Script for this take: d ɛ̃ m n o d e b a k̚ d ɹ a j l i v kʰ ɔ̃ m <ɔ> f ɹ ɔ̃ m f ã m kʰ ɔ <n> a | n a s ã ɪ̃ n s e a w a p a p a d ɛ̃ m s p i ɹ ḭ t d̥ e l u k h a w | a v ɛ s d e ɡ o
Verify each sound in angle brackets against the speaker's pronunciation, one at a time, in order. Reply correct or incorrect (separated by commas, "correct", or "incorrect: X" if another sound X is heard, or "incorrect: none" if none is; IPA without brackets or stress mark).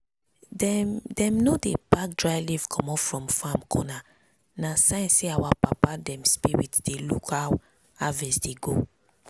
correct, correct